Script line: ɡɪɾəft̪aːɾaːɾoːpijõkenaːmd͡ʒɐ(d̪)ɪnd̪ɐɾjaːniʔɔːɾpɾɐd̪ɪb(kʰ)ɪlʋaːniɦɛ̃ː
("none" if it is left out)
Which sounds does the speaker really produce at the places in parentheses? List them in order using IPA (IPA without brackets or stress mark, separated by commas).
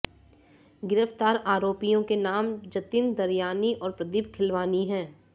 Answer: t̪, kʰ